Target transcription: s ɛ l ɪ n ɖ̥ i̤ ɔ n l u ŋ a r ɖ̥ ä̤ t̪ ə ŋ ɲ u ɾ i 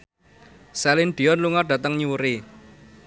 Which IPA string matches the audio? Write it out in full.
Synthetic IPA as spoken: s ɛ l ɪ n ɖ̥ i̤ ɔ n l u ŋ a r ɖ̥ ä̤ t̪ ə ŋ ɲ u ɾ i